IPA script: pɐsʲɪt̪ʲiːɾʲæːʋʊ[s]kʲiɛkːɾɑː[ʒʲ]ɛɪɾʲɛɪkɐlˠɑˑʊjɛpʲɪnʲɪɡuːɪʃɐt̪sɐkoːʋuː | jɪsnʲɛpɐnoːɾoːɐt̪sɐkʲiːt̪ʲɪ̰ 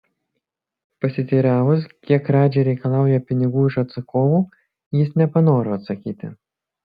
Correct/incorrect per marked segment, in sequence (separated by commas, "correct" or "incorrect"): correct, incorrect